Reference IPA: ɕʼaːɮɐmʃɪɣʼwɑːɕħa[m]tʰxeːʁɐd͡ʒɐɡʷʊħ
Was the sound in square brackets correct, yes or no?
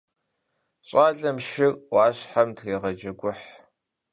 yes